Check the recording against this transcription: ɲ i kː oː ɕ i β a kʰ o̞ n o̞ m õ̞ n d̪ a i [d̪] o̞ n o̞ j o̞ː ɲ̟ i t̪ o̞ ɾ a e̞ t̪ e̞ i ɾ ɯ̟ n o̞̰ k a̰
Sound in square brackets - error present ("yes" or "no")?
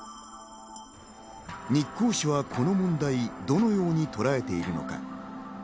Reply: no